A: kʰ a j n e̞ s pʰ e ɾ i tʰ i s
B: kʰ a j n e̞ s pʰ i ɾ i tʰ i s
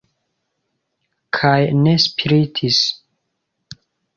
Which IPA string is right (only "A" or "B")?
B